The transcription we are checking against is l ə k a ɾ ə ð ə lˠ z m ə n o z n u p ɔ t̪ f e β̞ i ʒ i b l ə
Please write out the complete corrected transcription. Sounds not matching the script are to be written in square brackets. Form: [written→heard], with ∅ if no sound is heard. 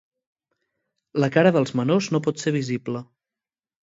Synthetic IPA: l ə k a ɾ ə ð ə lˠ z m ə n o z n [u→o] p ɔ t̪ [f→s] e β̞ i [ʒ→z] i b l ə